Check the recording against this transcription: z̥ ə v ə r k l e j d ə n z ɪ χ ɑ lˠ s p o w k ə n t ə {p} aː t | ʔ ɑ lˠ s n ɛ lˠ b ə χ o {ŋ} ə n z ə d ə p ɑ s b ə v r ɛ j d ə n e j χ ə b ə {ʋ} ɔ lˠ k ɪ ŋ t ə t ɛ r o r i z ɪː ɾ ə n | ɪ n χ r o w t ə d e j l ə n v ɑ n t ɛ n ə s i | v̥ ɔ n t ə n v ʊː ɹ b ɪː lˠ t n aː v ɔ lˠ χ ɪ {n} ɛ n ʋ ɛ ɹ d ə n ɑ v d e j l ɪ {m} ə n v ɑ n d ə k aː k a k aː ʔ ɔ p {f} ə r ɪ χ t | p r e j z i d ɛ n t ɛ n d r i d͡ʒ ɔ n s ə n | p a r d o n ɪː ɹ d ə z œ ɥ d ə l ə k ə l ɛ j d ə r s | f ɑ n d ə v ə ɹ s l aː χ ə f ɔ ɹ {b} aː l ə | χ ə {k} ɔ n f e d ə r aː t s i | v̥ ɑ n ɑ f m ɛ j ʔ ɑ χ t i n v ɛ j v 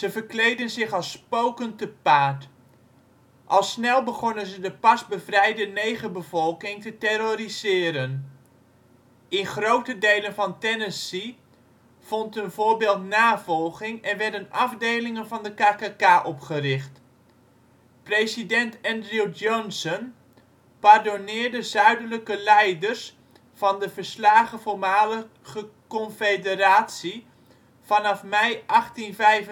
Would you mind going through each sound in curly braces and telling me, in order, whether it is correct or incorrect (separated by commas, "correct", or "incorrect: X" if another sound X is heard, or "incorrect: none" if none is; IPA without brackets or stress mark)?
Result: correct, incorrect: n, incorrect: v, incorrect: ŋ, incorrect: ŋ, incorrect: χ, incorrect: m, correct